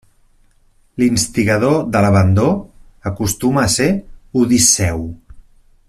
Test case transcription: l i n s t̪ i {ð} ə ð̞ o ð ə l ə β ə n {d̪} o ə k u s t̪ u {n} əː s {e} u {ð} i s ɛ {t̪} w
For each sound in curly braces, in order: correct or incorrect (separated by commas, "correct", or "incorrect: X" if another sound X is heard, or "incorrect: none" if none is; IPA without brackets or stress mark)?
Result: incorrect: ɣ, correct, incorrect: m, correct, correct, incorrect: none